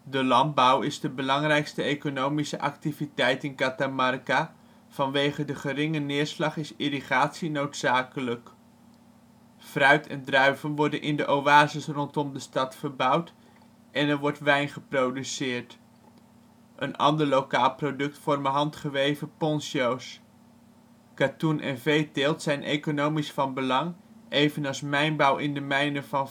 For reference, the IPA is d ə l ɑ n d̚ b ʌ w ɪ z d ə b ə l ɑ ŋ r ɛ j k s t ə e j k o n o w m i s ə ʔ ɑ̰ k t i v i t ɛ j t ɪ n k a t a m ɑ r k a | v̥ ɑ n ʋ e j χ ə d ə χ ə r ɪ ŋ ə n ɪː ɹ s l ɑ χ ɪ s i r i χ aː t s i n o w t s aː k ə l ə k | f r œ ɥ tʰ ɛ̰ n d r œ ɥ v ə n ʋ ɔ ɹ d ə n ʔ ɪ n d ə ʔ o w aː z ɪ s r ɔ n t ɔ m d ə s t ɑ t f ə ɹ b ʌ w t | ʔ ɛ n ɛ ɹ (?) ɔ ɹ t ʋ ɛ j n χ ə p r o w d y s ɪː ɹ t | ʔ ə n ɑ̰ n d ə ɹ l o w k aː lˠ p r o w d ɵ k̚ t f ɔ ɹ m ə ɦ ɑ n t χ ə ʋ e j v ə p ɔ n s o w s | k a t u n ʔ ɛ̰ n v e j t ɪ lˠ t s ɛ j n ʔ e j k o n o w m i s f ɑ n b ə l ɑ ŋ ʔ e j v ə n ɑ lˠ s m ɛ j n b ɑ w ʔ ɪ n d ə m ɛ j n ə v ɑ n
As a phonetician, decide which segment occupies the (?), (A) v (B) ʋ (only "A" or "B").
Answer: B